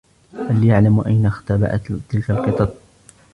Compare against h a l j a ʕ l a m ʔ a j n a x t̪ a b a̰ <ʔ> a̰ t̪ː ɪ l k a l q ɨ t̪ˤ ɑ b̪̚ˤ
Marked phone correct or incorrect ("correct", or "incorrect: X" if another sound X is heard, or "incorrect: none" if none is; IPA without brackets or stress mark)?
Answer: correct